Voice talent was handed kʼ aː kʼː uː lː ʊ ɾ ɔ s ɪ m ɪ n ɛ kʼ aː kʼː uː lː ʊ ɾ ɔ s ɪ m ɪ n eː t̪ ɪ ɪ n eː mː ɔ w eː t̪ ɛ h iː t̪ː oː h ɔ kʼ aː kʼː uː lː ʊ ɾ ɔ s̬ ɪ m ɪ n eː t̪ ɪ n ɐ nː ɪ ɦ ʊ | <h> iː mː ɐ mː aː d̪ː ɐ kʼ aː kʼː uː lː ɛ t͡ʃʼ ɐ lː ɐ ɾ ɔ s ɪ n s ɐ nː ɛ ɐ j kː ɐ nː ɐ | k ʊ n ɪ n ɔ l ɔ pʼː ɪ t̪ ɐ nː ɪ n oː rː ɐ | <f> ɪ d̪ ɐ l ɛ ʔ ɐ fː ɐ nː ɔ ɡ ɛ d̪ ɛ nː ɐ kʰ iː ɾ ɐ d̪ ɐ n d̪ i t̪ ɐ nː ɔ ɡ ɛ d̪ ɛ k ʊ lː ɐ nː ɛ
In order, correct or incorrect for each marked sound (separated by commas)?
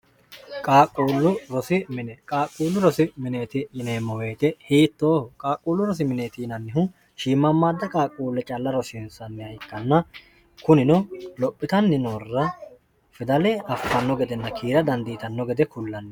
incorrect, correct